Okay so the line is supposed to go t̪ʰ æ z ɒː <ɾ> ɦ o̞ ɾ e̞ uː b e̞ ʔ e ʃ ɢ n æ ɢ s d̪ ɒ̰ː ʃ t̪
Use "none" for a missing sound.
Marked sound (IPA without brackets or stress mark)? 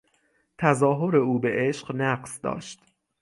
none